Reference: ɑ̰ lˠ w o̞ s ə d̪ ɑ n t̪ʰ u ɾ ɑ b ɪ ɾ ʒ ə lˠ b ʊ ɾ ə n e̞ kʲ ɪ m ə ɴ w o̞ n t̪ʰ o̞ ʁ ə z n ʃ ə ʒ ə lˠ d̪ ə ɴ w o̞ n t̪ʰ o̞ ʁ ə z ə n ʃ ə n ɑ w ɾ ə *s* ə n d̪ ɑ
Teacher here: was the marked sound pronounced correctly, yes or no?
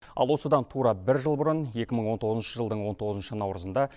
no